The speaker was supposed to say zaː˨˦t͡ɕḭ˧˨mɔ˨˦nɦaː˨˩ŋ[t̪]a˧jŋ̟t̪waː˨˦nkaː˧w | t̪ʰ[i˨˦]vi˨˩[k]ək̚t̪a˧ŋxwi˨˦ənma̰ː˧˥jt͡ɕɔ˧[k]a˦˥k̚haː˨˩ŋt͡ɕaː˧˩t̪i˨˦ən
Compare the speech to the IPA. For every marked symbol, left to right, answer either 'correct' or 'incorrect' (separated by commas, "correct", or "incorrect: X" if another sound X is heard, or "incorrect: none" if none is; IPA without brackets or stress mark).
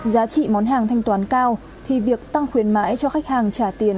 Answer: incorrect: t̪ʰ, incorrect: i˨˩, incorrect: none, incorrect: x